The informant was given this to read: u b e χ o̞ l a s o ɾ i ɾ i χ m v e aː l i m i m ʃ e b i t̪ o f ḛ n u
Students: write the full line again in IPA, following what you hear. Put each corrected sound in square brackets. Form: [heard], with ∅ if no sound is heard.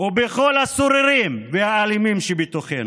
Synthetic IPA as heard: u b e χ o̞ l a s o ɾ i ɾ i [∅] m v e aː l i m i m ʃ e b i t̪ o [χ] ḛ n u